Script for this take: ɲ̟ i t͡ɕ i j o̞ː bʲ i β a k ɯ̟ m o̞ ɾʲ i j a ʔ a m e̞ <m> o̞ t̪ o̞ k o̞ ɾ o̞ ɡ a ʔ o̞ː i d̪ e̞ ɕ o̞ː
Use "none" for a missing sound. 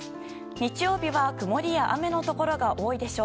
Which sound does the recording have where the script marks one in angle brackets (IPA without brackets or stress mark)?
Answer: n